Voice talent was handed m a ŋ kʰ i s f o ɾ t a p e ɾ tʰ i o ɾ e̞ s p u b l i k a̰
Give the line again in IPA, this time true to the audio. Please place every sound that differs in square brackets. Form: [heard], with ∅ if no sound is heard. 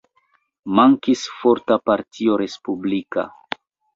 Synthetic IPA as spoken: m a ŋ [k] i s f o ɾ t a p [a] ɾ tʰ i o ɾ e̞ s p u b l i k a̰